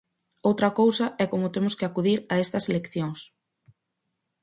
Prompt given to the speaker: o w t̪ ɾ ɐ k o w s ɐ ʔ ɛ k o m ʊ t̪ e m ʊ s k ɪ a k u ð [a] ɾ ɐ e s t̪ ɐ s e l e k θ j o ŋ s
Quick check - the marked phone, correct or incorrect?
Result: incorrect